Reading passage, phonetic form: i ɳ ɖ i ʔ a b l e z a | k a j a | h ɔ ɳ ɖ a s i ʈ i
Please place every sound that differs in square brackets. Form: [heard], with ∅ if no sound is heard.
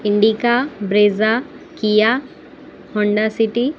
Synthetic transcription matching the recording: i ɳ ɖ i [k] a b [ɾ] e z a | k [i] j a | h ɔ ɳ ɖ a s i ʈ i